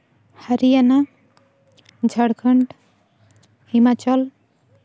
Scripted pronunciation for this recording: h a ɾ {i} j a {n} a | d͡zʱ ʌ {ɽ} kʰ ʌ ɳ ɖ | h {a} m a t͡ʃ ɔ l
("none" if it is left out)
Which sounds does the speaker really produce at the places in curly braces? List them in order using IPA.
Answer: i, n, ɽ, i

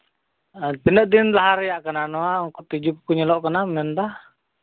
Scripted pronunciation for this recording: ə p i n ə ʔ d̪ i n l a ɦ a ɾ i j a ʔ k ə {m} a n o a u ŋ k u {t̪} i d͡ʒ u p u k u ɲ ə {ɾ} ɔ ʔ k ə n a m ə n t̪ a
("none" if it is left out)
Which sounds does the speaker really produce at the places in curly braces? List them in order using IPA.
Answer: n, t̪, l

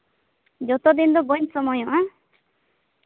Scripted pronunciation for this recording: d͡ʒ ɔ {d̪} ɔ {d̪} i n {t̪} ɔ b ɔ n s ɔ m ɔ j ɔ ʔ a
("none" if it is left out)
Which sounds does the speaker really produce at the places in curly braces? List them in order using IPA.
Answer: t̪, d̪, d̪

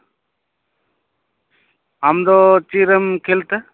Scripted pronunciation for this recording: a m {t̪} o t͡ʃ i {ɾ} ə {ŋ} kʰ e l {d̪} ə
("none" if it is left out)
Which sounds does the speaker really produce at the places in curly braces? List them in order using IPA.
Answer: d̪, ɾ, m, t̪

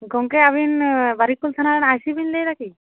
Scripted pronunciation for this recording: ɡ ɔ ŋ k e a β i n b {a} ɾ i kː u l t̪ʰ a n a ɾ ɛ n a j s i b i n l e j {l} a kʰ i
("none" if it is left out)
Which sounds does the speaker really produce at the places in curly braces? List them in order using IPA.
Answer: a, ɾ

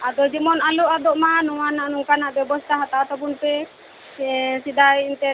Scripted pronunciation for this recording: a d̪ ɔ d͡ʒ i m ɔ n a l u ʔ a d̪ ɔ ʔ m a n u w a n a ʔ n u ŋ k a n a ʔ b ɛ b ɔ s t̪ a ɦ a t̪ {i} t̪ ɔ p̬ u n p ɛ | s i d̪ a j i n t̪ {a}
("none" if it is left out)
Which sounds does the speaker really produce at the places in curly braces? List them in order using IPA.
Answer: a, ɛ

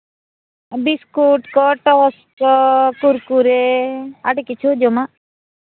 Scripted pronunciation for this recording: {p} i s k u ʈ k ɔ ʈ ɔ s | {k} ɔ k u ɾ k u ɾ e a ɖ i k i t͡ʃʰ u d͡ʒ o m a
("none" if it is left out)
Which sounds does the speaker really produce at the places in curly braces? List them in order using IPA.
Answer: b, k

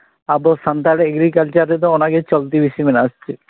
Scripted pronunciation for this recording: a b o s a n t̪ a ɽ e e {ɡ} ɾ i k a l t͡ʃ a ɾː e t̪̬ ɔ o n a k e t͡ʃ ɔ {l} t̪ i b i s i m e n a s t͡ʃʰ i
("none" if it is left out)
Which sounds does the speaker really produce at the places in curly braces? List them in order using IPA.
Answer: ɡ, l

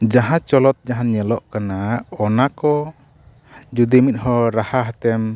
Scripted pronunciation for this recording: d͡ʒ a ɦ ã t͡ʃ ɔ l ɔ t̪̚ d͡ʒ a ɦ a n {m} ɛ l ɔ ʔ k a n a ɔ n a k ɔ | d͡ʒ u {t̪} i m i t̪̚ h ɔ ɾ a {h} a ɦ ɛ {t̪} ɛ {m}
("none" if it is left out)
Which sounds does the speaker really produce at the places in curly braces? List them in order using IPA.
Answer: ɲ, d̪, h, t̪, m

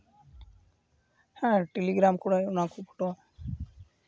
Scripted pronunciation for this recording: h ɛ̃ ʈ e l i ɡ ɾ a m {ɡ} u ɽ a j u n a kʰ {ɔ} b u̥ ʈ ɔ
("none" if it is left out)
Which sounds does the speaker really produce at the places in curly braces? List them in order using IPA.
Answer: k, u

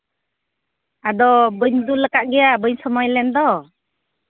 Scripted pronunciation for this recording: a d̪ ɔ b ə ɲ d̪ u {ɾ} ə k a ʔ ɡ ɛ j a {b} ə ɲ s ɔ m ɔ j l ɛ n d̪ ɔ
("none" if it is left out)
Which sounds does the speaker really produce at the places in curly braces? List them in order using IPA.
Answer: l, b

